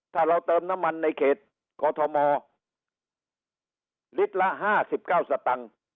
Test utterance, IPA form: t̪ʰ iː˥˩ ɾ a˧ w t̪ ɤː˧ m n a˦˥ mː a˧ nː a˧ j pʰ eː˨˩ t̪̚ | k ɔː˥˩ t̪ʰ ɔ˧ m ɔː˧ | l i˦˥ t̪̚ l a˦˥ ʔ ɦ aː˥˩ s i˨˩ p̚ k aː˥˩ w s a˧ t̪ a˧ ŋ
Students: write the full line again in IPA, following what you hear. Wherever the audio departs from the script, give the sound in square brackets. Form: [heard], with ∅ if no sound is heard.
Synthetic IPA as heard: t̪ʰ [aː˥˩] ɾ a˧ w t̪ ɤː˧ m n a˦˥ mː a˧ nː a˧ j [kʰ] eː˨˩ t̪̚ | k [ɔː˧] t̪ʰ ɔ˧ m ɔː˧ | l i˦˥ t̪̚ l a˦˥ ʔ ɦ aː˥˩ s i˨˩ p̚ k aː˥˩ w s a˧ t̪ a˧ ŋ